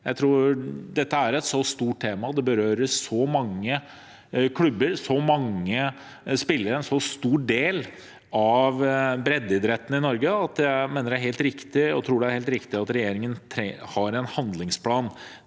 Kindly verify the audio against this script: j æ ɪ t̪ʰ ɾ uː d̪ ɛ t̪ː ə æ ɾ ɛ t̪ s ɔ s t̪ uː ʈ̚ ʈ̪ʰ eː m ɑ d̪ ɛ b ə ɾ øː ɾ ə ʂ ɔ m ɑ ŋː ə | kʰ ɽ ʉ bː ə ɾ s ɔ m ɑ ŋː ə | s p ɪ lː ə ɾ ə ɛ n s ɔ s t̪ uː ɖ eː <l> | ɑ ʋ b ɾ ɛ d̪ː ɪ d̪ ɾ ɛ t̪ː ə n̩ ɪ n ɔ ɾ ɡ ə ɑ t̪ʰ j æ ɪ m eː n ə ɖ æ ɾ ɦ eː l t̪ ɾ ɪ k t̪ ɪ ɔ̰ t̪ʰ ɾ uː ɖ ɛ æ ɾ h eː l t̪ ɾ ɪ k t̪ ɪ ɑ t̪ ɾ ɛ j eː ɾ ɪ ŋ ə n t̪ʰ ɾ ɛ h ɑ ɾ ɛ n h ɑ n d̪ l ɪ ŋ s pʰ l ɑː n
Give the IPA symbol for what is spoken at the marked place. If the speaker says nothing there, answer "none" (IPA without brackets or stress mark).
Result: l